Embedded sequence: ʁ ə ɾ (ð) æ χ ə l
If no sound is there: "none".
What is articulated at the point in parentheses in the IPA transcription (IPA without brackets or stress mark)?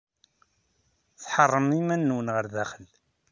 ð